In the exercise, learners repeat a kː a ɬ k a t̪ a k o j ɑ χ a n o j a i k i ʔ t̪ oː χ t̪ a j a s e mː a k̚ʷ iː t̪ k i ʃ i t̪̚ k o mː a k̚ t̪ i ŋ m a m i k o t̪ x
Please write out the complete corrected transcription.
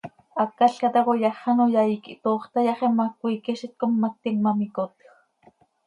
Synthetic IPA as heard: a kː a ɬ k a t̪ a k o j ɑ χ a n o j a i k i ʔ t̪ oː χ t̪ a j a χ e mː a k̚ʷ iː k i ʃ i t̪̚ k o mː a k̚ t̪ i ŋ m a m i k o t̪ x